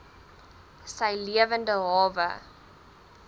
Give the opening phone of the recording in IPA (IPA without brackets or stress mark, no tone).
s